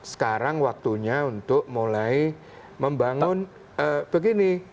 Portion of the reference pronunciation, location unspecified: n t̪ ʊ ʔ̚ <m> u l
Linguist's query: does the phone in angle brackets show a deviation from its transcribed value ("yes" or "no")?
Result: no